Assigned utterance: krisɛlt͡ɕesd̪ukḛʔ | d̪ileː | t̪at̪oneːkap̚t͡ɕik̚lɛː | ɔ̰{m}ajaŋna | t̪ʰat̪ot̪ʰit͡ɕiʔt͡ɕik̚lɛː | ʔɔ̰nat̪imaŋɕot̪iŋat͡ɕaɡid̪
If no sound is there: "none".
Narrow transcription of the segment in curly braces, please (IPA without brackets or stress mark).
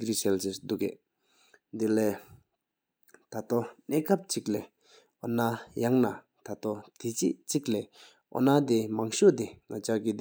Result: n